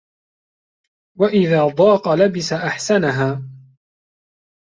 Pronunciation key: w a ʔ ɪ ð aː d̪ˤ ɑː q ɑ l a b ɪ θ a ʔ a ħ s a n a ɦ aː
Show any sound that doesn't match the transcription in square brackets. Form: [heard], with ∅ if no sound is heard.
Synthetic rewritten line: w a ʔ ɪ ð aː d̪ˤ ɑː q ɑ l a b ɪ [s] a ʔ a ħ s a n a ɦ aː